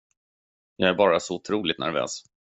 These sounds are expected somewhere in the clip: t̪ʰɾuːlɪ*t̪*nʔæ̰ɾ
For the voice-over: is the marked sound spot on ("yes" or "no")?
yes